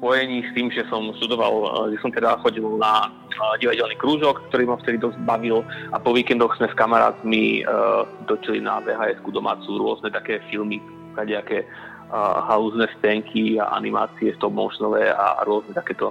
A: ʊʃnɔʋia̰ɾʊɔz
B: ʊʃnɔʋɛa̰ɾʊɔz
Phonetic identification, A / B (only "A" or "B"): B